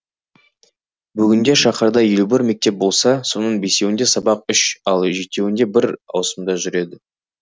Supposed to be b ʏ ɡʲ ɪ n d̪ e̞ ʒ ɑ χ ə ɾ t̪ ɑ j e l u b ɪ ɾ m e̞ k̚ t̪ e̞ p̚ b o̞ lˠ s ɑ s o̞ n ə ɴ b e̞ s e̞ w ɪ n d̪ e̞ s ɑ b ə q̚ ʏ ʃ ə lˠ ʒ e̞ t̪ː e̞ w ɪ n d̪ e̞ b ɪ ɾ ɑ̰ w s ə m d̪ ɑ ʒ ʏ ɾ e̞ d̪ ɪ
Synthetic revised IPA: b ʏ ɡʲ ɪ n d̪ e̞ ʃ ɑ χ ə ɾ d̪ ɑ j e l u b ɪ ɾ m e̞ k̚ t̪ e̞ p̚ b o̞ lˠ s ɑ s o̞ n ə ɴ b e̞ s e̞ w ɪ n d̪ e̞ s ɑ b ɑ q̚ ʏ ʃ ɑ lˠ ʒ e̞ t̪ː e̞ w ɪ n d̪ e̞ b ɪ ɾ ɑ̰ w s ə m d̪ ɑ ʒ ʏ ɾ e̞ d̪ ɪ